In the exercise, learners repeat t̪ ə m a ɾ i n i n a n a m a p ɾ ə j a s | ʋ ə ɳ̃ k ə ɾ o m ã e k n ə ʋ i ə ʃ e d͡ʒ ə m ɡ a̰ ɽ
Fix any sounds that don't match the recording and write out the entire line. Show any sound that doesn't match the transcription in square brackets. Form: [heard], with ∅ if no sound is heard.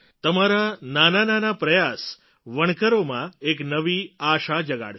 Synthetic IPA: t̪ ə m a ɾ [a] n [a] n a n a [n] a p ɾ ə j a s | ʋ ə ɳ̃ k ə ɾ o m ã e k n ə ʋ i [a] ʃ [a] d͡ʒ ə [∅] ɡ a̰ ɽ

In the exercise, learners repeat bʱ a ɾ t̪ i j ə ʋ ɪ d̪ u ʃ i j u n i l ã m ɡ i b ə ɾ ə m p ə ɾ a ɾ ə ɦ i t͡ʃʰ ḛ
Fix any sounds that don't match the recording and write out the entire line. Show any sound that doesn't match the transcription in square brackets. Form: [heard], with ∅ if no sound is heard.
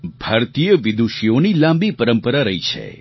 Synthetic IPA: bʱ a ɾ t̪ i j ə ʋ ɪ d̪ u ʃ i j [o] n i l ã m [b] i [p] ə ɾ ə m p ə ɾ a ɾ ə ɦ i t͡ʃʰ ḛ

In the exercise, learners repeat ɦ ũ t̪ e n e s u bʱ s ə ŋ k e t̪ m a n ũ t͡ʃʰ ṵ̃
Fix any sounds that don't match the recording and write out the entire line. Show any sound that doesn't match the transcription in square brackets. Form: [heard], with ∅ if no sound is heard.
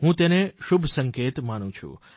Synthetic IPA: ɦ ũ t̪ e n e [ʃ] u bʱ s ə ŋ k e t̪ m a n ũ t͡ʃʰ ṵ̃

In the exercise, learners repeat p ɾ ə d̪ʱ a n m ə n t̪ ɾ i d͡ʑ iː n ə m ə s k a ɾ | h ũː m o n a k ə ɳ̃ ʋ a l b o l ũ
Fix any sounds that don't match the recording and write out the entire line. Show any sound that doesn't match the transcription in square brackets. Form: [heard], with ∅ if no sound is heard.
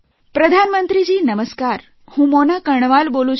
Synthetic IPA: p ɾ ə d̪ʱ a n m ə n t̪ ɾ i d͡ʑ iː n ə m ə s k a ɾ | h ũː m o n a k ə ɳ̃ ʋ a l b o l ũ

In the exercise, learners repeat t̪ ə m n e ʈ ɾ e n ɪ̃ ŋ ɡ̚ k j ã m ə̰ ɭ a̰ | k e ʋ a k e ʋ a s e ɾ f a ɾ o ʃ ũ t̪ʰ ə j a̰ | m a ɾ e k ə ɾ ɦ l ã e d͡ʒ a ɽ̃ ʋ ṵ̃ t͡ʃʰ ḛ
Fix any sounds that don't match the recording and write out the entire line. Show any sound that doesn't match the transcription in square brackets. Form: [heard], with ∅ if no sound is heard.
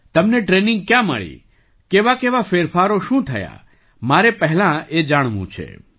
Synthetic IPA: t̪ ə m n e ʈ ɾ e n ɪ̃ ŋ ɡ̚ k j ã m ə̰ ɭ [ḭ] | k e ʋ a k e ʋ a [f] e ɾ f a ɾ o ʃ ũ t̪ʰ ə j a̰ | m a ɾ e [p] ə [∅] ɦ l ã e d͡ʒ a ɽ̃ ʋ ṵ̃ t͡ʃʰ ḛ

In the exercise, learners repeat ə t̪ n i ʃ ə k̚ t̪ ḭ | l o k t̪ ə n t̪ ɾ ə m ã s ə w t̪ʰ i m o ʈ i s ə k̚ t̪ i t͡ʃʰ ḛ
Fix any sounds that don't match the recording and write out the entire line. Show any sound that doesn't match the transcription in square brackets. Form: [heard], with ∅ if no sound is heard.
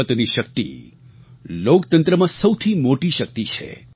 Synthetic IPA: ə t̪ n i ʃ ə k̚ t̪ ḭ | l o k t̪ ə n t̪ ɾ ə m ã s ə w t̪ʰ i m o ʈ i [ʃ] ə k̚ t̪ i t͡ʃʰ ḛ

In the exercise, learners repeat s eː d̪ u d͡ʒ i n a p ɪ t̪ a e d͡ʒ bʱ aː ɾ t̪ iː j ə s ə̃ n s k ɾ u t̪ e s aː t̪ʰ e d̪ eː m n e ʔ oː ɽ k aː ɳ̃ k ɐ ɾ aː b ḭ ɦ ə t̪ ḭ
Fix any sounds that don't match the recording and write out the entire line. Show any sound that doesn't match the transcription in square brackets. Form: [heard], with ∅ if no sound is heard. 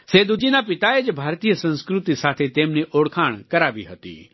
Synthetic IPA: s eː d̪ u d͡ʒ i n a p ɪ t̪ a e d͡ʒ bʱ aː ɾ t̪ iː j ə s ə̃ n s k ɾ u t̪ [i] s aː t̪ʰ e [t̪] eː m n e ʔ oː ɽ [kʰ] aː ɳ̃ k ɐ ɾ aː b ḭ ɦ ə t̪ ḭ

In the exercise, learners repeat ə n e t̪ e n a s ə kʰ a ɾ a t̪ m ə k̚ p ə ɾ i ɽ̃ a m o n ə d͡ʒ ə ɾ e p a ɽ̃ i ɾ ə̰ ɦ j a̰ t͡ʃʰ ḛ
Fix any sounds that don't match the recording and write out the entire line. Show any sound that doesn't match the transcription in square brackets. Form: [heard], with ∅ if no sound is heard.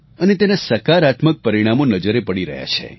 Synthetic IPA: ə n e t̪ e n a s ə [k] a ɾ a t̪ m ə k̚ p ə ɾ i ɽ̃ a m o n ə d͡ʒ ə ɾ e p [ə] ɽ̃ i ɾ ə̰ ɦ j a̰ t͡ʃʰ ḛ

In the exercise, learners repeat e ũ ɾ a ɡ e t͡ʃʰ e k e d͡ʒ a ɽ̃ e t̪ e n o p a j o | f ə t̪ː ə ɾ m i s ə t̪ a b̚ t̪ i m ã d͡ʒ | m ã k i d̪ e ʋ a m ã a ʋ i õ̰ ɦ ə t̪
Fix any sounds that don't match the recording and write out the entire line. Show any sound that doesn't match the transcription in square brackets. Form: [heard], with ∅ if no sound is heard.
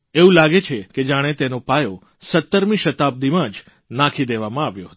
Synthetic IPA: e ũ [l] a ɡ e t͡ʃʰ e k e d͡ʒ a ɽ̃ e t̪ e n o p a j o | [s] ə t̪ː ə ɾ m i [ʃ] ə t̪ a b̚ [d̪] i m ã d͡ʒ | [n] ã [kʰ] i d̪ e ʋ a m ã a ʋ [j] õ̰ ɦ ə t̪

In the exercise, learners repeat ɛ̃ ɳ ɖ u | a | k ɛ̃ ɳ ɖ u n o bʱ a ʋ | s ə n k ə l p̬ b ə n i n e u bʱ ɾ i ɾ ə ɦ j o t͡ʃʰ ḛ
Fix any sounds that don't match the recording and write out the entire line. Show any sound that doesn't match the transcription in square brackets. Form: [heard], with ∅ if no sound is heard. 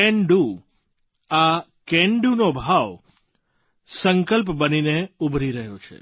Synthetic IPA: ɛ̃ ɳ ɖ u | a | k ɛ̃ ɳ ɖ u n o bʱ a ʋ | s ə [ŋ] k ə l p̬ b ə n i n e u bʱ ɾ i ɾ ə ɦ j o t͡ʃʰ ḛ

